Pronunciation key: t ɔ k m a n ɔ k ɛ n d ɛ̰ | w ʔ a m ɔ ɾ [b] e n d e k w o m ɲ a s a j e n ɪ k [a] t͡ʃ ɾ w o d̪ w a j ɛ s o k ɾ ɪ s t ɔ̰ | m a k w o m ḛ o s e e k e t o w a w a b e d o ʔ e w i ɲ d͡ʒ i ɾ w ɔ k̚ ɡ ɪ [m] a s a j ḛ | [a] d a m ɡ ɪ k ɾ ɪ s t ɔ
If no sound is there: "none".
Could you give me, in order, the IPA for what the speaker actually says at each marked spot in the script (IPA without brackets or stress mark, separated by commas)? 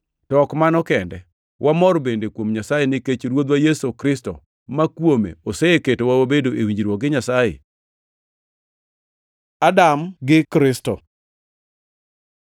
b, e, ɲ, a